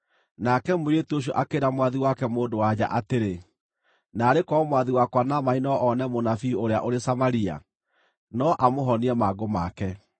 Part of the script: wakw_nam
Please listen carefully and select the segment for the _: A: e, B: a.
B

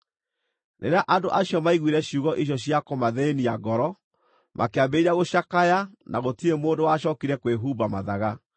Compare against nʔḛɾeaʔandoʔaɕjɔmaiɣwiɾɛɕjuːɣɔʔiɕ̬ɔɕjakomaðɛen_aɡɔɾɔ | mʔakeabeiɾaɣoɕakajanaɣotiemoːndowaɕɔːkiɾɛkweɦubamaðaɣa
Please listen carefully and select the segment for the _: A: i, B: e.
A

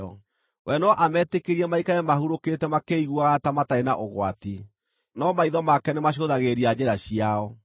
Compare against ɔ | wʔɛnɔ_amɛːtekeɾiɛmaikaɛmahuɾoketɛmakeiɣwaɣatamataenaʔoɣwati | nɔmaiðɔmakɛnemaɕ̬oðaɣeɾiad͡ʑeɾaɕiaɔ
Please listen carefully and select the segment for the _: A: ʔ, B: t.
A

